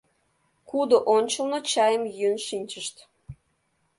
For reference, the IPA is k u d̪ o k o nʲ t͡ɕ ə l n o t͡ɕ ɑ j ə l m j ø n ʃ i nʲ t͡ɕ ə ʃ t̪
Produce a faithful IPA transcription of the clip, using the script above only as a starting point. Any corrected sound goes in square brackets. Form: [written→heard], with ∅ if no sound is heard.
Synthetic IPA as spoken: k u d̪ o [k→ʔ] o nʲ t͡ɕ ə l n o t͡ɕ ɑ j ə [l→∅] m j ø n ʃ i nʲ t͡ɕ ə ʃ t̪